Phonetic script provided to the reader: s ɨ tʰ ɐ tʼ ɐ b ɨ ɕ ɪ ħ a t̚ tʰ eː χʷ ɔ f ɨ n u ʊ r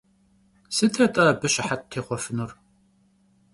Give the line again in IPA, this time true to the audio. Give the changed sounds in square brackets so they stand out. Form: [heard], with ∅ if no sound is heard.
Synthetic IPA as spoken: s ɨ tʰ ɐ tʼ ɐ b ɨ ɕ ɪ ħ a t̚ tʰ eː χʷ ɔ f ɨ n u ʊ r